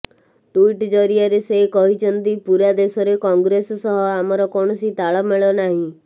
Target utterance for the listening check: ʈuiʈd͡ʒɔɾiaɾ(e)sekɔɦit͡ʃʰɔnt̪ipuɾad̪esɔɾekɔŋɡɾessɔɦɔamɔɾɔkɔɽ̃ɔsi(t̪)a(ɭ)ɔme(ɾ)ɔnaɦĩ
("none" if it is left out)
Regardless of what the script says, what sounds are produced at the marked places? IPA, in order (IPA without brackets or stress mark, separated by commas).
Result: e, t̪, ɭ, ɭ